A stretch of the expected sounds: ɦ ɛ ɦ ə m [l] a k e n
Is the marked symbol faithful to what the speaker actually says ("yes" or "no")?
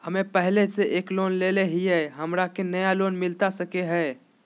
no